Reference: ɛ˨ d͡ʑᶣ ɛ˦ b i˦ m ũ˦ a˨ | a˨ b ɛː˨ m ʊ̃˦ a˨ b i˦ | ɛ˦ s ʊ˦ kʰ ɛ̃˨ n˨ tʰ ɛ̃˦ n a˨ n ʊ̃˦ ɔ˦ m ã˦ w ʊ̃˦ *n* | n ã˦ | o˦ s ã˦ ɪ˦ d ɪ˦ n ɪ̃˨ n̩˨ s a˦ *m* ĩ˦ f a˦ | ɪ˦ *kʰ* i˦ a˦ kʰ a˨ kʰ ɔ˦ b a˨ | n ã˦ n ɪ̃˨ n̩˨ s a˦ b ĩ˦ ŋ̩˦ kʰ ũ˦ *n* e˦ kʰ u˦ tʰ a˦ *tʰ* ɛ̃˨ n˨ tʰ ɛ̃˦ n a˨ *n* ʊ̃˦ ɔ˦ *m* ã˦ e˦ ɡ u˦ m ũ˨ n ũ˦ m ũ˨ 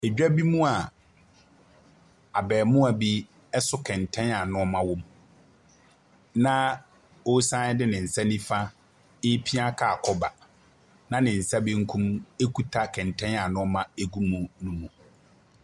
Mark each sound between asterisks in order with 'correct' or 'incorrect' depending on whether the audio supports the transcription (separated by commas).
incorrect, incorrect, incorrect, incorrect, incorrect, correct, correct